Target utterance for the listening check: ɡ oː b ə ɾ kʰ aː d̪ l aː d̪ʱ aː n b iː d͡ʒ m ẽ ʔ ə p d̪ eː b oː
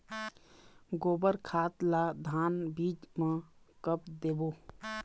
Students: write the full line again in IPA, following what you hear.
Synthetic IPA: ɡ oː b ə ɾ kʰ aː t̪ l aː d̪ʱ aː n b iː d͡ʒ m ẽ k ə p d̪ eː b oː